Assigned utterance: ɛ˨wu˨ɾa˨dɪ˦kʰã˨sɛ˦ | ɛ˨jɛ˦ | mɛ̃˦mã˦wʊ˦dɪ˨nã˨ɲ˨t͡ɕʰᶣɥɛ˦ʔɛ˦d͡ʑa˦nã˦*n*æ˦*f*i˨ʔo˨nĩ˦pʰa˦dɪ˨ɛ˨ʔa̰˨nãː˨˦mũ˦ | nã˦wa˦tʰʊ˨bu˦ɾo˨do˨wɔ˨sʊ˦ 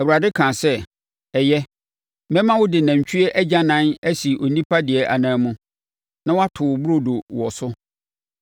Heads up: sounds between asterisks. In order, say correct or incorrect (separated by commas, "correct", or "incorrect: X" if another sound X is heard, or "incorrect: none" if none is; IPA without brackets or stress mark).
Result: correct, incorrect: s